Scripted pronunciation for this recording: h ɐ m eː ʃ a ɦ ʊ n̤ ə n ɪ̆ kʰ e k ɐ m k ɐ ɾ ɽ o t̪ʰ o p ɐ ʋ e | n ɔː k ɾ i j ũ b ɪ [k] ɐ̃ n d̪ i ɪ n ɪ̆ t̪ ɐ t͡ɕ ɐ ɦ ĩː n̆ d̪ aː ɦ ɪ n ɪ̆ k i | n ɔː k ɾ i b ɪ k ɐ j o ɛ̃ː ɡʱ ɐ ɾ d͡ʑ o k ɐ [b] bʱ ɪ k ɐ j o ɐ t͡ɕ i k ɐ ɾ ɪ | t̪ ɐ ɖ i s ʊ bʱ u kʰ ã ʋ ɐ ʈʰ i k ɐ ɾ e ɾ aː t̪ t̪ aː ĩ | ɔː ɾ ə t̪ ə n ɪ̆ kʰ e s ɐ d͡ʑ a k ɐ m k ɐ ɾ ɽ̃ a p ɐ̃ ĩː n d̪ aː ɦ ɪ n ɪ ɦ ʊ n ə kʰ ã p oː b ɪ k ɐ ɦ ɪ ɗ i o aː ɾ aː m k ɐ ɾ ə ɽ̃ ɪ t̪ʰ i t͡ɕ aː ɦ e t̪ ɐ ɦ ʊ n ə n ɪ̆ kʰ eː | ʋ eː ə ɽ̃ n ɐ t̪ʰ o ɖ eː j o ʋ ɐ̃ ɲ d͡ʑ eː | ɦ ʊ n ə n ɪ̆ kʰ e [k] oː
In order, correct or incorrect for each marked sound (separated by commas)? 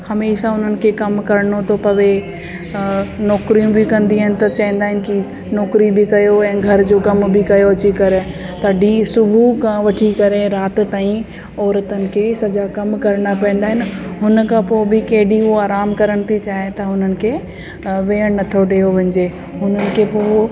correct, incorrect, incorrect